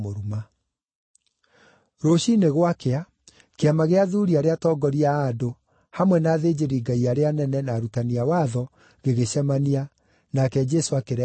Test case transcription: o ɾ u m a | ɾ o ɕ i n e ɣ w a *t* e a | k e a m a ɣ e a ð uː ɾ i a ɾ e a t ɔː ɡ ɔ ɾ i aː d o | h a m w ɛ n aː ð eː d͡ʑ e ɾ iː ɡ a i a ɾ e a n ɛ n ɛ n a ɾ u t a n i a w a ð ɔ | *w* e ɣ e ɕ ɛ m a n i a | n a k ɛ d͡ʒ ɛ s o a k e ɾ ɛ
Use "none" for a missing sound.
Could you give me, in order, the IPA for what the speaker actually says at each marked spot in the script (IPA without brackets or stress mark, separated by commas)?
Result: k, ɣ